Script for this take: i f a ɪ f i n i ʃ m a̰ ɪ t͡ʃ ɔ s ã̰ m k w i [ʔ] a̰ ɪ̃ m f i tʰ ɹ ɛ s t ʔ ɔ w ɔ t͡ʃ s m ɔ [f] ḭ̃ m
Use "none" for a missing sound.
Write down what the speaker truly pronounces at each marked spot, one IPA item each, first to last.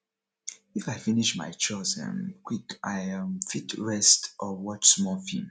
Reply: k, f

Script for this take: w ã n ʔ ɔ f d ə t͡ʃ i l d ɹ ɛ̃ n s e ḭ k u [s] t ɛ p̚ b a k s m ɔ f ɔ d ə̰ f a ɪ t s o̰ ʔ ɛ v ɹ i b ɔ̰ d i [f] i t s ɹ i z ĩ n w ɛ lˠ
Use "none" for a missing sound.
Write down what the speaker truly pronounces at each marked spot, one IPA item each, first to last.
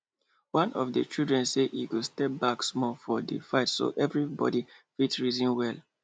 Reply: s, f

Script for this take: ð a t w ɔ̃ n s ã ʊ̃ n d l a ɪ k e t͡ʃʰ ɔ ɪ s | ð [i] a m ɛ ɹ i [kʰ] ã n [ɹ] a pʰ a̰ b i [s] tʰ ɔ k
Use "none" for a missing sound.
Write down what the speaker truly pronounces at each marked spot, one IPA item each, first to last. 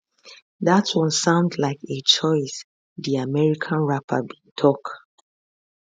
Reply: i, kʰ, ɹ, none

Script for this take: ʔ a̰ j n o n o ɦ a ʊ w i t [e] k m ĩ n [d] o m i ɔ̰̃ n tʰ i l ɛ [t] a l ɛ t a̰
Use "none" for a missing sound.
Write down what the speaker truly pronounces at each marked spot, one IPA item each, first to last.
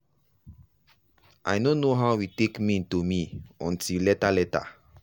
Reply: e, t, t

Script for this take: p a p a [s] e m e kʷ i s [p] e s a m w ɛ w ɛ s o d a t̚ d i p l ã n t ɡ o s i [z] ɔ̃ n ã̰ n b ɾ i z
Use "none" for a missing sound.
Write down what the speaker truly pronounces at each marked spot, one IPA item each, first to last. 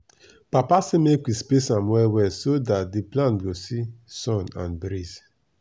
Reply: s, p, s

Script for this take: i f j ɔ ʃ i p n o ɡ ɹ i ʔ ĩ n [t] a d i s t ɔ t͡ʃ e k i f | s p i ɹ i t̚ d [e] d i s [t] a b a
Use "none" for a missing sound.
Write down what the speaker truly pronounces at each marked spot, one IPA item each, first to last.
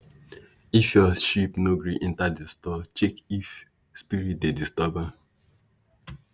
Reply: t, e, t

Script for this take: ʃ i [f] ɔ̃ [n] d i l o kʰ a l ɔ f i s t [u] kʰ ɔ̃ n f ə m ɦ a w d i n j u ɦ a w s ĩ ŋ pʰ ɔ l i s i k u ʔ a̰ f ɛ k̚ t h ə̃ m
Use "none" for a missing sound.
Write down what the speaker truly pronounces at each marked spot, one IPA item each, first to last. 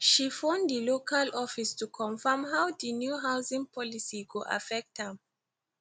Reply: f, n, u

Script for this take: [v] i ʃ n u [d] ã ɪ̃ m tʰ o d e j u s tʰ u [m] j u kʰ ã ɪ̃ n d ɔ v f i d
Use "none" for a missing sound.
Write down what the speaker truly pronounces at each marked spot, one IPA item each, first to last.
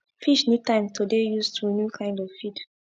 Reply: f, t, n

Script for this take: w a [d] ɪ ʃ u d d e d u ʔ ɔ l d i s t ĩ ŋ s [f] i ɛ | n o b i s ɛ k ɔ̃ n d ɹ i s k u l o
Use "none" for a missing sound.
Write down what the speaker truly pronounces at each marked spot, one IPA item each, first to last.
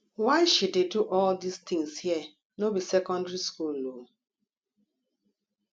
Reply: none, h

